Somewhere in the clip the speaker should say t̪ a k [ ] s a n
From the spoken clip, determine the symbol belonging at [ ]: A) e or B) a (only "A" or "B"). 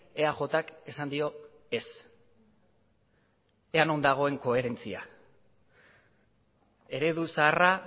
A